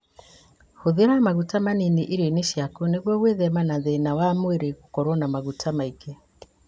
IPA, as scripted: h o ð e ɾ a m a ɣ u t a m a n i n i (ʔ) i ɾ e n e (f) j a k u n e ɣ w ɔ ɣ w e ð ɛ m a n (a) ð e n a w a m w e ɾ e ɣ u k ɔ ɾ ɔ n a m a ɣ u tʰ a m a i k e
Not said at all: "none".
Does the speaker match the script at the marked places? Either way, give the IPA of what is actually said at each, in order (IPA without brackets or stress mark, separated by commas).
ʔ, ʃ, a